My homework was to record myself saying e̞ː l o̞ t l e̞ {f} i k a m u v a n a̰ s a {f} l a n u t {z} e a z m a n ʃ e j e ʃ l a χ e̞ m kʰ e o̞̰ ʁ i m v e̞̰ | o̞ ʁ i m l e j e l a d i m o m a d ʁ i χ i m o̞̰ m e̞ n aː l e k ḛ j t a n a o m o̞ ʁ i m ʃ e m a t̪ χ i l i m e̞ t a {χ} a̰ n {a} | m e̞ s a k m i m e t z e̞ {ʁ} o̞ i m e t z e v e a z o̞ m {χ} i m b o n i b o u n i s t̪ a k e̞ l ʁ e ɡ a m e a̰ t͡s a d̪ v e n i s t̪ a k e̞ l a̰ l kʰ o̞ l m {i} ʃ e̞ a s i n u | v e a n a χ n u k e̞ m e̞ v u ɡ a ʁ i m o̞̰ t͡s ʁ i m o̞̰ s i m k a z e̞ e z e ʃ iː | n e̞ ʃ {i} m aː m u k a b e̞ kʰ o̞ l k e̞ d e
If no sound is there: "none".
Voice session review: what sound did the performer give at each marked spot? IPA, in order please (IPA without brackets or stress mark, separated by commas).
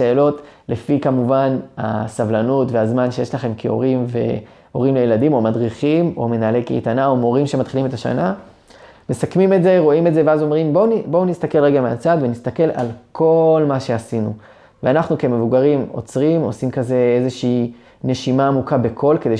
f, v, v, ʃ, a, ʁ, ʁ, a, i